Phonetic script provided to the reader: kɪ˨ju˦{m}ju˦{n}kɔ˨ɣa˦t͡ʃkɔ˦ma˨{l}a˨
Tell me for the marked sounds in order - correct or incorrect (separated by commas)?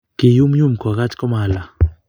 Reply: correct, incorrect, correct